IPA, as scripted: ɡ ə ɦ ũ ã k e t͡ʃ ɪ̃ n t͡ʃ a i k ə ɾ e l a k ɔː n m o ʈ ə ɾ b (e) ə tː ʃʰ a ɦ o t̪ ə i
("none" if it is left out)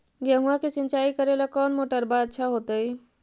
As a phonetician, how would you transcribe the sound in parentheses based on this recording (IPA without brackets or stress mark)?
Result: a